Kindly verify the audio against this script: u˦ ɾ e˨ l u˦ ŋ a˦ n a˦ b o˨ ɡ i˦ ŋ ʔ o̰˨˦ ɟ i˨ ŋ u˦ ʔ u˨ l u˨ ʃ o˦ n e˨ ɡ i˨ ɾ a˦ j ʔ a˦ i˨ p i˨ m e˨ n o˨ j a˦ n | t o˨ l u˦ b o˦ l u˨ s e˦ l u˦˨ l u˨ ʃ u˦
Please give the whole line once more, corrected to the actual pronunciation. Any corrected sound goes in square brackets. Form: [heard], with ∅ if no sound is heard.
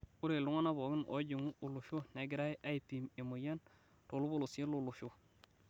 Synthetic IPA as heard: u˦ ɾ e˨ l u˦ ŋ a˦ n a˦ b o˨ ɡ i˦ [n] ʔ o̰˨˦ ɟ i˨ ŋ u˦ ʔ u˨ l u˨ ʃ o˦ n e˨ ɡ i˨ ɾ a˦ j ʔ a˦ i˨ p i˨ m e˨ [m] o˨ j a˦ n | t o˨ l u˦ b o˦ l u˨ s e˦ l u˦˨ l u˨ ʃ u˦